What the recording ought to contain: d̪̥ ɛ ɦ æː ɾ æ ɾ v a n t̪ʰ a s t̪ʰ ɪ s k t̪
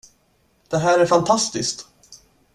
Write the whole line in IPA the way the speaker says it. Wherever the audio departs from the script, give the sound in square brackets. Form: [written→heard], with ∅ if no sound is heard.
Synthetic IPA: d̪̥ ɛ ɦ æː ɾ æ ɾ [v→f] a n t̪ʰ a s [t̪ʰ→t̪] ɪ s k t̪